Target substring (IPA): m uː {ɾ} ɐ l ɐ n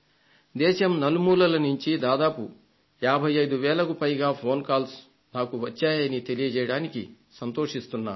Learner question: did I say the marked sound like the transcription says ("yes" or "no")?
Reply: no